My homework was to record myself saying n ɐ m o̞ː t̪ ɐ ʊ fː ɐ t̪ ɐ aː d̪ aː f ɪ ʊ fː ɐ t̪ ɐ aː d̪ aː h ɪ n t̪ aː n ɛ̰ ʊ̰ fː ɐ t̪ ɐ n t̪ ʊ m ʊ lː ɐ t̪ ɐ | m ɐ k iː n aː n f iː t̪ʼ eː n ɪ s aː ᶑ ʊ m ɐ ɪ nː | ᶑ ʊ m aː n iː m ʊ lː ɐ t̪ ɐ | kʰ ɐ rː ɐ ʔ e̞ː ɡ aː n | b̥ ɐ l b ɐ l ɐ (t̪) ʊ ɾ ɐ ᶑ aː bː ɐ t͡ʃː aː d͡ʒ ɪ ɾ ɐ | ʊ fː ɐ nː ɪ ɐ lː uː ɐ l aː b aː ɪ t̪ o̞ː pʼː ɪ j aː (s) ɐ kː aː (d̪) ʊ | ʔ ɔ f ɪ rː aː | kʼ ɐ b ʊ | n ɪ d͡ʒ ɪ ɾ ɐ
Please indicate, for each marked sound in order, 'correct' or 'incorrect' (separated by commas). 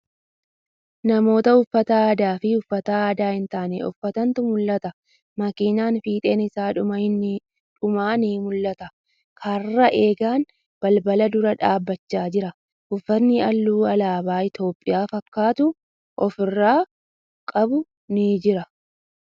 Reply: incorrect, incorrect, incorrect